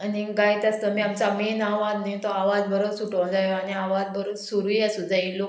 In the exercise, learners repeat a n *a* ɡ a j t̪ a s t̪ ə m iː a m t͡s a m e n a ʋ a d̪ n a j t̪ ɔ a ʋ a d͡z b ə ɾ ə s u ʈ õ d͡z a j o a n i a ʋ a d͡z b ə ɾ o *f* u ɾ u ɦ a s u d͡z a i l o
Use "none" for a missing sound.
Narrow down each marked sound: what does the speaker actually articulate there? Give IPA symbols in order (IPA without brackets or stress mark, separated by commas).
i, s